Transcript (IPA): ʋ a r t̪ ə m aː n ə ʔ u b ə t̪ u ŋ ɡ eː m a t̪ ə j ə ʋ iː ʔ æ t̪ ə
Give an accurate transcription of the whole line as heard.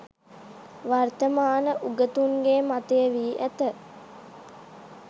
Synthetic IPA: ʋ a r t̪ ə m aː n ə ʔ u ɡ ə t̪ u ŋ ɡ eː m a t̪ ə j ə ʋ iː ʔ æ t̪ ə